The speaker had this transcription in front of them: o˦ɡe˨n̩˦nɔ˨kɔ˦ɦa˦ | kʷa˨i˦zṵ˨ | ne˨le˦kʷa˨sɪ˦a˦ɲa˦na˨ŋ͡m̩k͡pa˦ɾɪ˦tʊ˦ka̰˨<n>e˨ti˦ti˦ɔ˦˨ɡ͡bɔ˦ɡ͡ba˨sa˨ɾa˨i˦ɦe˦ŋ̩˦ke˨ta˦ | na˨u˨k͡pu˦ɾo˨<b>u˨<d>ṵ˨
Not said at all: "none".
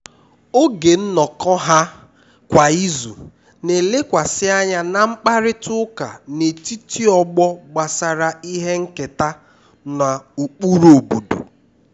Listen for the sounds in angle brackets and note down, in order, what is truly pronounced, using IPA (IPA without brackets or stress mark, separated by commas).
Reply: n, b, d